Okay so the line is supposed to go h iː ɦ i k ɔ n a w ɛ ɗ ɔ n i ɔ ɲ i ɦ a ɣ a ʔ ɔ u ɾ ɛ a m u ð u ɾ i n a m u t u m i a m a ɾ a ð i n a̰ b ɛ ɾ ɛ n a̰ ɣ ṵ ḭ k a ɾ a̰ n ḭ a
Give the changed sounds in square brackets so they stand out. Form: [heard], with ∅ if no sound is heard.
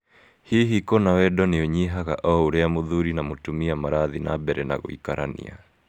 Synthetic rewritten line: h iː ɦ i k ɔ n a w ɛ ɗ ɔ n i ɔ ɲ i ɦ a ɣ a ʔ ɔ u ɾ ɛ a m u ð u ɾ i n a m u t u m i a m a ɾ a ð i n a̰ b ɛ ɾ ɛ n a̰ ɣ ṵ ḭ k a ɾ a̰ n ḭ a

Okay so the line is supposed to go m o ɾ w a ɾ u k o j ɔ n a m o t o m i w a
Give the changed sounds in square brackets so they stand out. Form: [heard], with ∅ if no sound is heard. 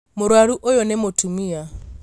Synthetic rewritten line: m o ɾ w a ɾ u [ʔ] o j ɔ n [ɛ] m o t [u] m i [∅] a

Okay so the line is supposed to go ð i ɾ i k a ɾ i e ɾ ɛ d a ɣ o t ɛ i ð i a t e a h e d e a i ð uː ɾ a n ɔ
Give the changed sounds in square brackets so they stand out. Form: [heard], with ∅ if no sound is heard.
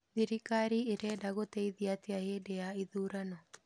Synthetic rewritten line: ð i ɾ i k a ɾ i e ɾ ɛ d a ɣ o t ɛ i ð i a t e a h e d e a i ð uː ɾ a n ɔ

